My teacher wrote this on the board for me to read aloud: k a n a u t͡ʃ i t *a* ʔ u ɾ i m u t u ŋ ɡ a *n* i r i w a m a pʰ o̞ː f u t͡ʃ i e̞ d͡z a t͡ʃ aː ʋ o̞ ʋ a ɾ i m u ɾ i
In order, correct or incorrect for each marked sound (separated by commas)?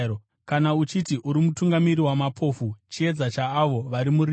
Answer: incorrect, incorrect